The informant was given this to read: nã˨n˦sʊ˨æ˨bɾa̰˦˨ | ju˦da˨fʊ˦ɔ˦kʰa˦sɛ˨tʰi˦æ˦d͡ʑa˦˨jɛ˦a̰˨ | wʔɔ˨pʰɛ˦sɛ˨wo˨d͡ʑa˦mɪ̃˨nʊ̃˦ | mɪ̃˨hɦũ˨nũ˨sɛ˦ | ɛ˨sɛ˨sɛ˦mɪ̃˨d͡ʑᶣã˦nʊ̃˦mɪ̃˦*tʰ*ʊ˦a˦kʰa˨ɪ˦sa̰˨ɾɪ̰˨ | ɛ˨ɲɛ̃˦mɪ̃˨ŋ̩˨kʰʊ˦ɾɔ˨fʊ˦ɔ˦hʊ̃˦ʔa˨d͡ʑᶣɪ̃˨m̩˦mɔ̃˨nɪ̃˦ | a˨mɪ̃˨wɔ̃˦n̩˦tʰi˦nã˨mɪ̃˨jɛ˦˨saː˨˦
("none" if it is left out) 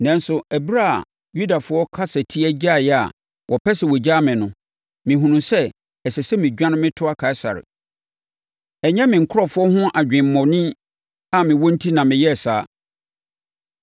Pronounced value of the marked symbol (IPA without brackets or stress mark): tʰ